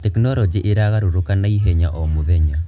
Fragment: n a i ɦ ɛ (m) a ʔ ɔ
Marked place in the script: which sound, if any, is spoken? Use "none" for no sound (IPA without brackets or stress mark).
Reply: ɲ